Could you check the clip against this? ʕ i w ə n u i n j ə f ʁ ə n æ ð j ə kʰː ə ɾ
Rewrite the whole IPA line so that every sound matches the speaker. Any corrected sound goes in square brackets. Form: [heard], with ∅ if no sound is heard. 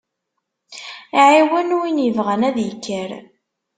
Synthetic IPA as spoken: ʕ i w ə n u i n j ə [v] ʁ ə n æ ð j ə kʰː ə ɾ